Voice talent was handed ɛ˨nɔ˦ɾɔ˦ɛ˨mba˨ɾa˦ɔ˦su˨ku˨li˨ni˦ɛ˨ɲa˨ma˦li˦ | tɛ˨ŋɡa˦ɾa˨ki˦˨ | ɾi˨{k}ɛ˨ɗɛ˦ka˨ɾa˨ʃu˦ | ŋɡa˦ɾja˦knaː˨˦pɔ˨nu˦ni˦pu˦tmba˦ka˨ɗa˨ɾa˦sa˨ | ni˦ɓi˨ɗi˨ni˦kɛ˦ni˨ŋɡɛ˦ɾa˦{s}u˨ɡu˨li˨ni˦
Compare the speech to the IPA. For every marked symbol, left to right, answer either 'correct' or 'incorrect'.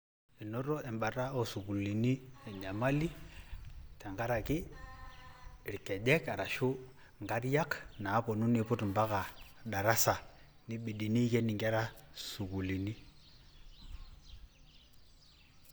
correct, correct

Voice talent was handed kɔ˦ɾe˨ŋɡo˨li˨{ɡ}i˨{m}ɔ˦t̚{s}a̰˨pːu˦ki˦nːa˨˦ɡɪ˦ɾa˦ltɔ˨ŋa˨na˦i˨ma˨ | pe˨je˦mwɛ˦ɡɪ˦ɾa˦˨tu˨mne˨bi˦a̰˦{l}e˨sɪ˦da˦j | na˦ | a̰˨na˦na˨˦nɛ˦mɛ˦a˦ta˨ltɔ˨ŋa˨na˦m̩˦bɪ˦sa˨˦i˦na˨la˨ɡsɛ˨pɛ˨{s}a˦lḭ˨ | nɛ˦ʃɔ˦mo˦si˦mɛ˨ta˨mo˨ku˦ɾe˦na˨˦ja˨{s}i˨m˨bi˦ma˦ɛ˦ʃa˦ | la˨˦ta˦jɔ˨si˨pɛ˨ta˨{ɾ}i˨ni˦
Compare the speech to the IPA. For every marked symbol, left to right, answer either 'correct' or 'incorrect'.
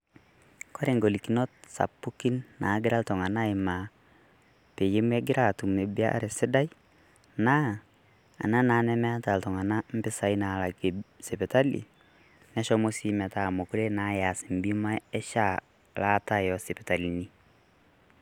incorrect, incorrect, correct, incorrect, incorrect, correct, incorrect

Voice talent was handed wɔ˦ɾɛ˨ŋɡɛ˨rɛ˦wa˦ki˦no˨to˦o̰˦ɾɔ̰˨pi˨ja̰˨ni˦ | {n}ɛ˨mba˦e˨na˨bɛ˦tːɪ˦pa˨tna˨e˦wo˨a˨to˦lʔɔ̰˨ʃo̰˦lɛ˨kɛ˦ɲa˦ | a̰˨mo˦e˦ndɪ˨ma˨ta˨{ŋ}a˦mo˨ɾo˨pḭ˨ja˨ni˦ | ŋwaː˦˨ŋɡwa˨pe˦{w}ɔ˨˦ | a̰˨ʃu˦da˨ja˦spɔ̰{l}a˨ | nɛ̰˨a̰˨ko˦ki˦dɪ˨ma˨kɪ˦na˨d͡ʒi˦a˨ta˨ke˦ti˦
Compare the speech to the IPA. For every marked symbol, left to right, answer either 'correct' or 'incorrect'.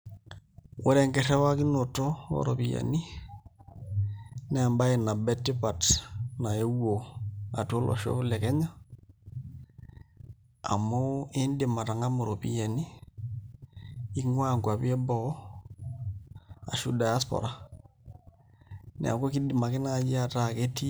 correct, correct, incorrect, incorrect

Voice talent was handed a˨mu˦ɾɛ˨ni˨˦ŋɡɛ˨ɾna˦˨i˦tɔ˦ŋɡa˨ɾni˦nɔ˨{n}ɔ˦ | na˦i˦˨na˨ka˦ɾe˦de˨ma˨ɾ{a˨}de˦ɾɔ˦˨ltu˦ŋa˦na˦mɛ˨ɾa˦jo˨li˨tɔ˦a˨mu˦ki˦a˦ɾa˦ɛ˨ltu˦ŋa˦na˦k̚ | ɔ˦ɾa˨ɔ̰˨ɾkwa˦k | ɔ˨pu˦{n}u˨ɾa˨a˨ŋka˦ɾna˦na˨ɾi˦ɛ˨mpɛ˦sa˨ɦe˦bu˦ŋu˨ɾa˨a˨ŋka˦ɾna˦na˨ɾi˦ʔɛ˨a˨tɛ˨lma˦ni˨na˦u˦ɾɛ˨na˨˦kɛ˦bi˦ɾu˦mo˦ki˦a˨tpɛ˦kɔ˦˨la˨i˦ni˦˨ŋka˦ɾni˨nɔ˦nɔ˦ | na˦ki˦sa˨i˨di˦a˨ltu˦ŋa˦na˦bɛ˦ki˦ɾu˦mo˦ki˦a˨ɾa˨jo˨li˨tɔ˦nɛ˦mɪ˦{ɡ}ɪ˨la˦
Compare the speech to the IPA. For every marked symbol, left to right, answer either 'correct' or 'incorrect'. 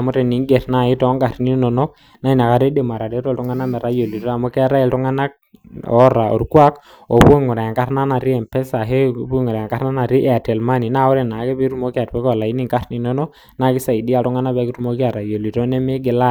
correct, correct, incorrect, correct

